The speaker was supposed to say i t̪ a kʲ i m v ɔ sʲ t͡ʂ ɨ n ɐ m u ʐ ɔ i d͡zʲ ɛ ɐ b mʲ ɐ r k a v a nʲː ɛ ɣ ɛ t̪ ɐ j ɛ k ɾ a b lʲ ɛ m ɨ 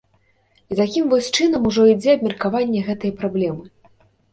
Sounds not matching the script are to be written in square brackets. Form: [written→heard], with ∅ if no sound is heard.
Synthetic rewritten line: i t̪ a kʲ i m v ɔ sʲ t͡ʂ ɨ n ɐ m u ʐ ɔ i d͡zʲ ɛ ɐ b mʲ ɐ r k a v a nʲː ɛ ɣ ɛ t̪ ɐ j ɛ [k→p] ɾ a b lʲ ɛ m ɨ

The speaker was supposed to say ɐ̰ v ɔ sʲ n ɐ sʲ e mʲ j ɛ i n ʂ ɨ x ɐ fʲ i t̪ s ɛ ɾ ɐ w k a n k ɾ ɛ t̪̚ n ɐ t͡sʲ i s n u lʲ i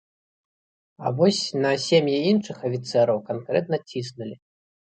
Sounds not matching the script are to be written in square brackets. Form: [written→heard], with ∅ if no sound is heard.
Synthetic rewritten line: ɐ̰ v ɔ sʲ n ɐ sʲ e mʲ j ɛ i n ʂ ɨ x ɐ fʲ i t̪ s ɛ ɾ ɐ w k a n k ɾ ɛ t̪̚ n ɐ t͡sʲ i s n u lʲ i

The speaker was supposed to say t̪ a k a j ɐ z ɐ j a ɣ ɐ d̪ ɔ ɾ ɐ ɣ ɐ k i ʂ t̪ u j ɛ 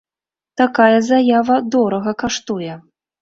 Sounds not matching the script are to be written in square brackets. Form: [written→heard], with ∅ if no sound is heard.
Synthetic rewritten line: t̪ a k a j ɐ z [ɐ→a] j a [ɣ→v] ɐ d̪ ɔ ɾ ɐ ɣ ɐ k [i→a] ʂ t̪ u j ɛ

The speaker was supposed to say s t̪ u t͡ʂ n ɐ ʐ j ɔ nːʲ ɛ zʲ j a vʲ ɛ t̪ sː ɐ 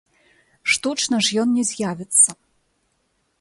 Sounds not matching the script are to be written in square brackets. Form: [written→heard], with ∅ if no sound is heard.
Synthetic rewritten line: [s→ʂ] t̪ u t͡ʂ n ɐ ʐ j ɔ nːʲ ɛ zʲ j a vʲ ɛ t̪ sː ɐ

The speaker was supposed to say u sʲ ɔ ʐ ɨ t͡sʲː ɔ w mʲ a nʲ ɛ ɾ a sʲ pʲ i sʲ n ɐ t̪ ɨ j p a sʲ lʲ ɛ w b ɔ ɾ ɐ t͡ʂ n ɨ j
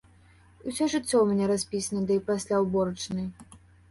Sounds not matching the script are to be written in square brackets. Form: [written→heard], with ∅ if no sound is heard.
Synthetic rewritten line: u sʲ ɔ ʐ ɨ t͡sʲː ɔ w mʲ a nʲ ɛ ɾ a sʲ pʲ i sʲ n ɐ [t̪→d̪] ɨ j p a sʲ lʲ [ɛ→a] w b ɔ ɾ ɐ t͡ʂ n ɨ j

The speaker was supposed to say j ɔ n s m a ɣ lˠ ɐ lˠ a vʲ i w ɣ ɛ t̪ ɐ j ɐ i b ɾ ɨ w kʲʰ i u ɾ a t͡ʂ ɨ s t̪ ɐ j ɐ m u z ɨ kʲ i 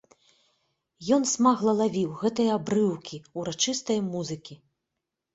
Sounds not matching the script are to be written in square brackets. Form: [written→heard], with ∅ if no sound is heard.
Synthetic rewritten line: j ɔ n s m a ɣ lˠ ɐ lˠ a vʲ i w ɣ ɛ t̪ ɐ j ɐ [i→a] b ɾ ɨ w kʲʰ i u ɾ a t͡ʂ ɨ s t̪ ɐ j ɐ m u z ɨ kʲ i

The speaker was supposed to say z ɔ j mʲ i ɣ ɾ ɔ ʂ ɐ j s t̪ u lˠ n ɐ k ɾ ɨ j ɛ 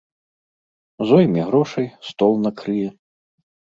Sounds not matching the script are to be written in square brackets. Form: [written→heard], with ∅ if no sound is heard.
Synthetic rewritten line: z ɔ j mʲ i ɣ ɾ ɔ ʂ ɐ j s t̪ [u→ɔ] lˠ n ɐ k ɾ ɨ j ɛ

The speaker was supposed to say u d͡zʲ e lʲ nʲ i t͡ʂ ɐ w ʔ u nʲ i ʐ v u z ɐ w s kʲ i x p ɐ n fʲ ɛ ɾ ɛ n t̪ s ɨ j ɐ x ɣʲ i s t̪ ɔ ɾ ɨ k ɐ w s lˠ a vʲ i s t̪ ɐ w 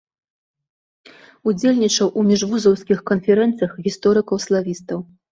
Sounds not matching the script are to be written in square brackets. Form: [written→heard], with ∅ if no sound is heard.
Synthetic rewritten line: u d͡zʲ e lʲ nʲ i t͡ʂ ɐ w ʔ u [nʲ→mʲ] i ʐ v u z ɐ w s kʲ i x [p→k] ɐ n fʲ ɛ ɾ ɛ n t̪ s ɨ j ɐ x ɣʲ i s t̪ ɔ ɾ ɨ k ɐ w s lˠ a vʲ i s t̪ ɐ w

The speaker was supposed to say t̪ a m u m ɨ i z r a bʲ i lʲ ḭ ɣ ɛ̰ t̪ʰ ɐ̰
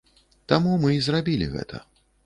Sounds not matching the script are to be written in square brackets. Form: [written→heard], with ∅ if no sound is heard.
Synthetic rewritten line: t̪ a m u m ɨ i z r a bʲ i lʲ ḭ ɣ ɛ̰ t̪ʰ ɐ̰

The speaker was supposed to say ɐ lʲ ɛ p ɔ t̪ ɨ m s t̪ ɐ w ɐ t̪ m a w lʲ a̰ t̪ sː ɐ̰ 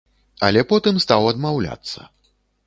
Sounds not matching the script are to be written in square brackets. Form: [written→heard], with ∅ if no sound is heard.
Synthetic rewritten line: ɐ lʲ ɛ p ɔ t̪ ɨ m s t̪ [ɐ→a] w ɐ [t̪→d̪] m a w lʲ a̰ t̪ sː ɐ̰

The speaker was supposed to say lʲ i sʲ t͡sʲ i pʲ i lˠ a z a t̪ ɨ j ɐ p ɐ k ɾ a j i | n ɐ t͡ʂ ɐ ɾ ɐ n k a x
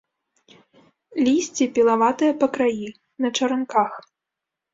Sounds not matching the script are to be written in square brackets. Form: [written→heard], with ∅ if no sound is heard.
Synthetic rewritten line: lʲ i sʲ t͡sʲ i pʲ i lˠ a [z→v] a t̪ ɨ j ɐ p ɐ k ɾ a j i | n ɐ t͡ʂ ɐ ɾ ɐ n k a x

